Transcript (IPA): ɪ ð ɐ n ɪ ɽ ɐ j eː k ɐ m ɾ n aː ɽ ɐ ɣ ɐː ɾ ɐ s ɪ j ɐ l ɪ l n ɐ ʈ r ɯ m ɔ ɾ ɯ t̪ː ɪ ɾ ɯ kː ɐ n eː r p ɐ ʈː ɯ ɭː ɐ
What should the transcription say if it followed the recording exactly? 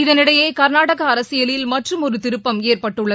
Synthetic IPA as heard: ɪ ð ɐ n ɪ ɽ ɐ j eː k ɐ ɾ n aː ɽ ɐ ɣ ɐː ɾ ɐ s ɪ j ɐ l ɪ l m ɐ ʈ r ɯ m ɔ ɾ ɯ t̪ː ɪ ɾ ɯ pː ɐ m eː r p ɐ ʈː ɯ ɭː ɐ